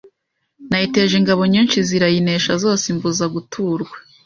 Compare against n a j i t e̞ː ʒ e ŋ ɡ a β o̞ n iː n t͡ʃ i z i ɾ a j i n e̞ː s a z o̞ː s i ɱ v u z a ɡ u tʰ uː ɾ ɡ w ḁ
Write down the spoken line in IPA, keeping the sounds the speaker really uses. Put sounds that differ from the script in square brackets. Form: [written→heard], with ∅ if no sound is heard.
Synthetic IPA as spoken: n a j i t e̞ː ʒ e ŋ ɡ a β o̞ [n→ɲ] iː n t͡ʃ i z i ɾ a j i n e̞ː [s→ʃ] a z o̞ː s i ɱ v u z a ɡ u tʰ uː ɾ ɡ w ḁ